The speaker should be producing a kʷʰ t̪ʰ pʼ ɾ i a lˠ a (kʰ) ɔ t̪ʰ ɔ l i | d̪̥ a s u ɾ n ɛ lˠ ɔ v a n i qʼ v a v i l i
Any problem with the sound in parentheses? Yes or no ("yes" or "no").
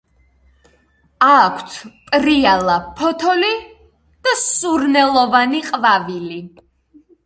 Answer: yes